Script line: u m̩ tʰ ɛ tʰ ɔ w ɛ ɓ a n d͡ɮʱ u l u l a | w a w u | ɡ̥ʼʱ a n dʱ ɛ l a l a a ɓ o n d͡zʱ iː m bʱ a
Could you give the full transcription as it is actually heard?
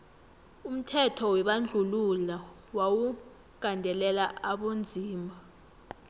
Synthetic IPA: u m̩ tʰ ɛ tʰ ɔ w ɛ ɓ a n d͡ɮʱ u l u l a | w a w u | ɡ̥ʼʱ a n dʱ ɛ l ɛ l a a ɓ o n d͡zʱ iː m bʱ a